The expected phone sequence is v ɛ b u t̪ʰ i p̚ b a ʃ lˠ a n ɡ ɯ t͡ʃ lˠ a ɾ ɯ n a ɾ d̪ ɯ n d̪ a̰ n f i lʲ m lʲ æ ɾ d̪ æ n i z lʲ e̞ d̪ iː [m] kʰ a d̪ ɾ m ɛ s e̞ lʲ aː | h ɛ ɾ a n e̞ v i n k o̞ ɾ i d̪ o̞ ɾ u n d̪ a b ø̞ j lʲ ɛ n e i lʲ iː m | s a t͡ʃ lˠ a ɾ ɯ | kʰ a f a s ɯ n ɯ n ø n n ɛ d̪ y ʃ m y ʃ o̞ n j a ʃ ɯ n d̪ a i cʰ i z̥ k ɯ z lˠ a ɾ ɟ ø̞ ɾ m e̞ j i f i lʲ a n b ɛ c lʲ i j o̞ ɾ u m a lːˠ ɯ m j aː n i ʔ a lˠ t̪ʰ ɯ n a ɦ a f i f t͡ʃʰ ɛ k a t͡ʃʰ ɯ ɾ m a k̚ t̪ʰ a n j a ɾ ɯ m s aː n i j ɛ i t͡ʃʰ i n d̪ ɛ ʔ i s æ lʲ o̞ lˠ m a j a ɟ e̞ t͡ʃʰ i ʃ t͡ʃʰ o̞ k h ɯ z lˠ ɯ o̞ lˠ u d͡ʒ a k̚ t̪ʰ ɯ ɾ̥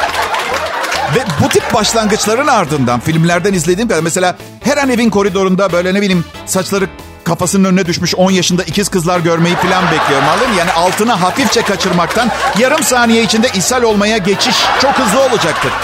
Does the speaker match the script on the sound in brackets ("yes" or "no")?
yes